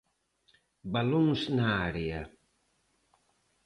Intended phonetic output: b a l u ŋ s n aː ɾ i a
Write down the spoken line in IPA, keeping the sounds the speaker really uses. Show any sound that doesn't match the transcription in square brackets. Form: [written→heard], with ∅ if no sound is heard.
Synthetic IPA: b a l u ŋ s n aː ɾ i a